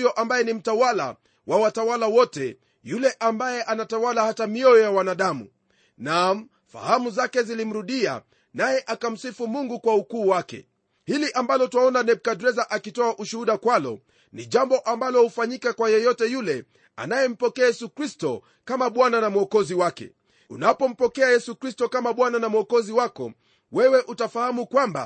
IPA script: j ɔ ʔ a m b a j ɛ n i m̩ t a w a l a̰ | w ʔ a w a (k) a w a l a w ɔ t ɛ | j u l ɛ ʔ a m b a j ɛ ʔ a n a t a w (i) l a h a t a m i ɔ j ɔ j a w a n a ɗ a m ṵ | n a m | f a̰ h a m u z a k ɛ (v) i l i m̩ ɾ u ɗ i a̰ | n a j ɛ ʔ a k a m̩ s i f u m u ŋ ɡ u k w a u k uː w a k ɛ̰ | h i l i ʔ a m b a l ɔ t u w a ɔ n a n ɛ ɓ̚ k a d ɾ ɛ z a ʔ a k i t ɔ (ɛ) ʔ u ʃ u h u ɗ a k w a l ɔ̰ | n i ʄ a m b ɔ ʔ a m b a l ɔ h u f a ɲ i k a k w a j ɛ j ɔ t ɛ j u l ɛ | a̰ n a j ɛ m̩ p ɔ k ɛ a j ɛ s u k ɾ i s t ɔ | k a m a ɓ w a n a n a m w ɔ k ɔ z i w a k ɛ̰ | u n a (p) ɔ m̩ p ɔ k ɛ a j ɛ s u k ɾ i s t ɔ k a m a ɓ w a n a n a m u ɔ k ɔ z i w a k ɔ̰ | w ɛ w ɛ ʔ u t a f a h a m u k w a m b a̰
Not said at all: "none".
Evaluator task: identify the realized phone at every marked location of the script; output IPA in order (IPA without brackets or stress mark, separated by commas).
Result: t, a, z, a, p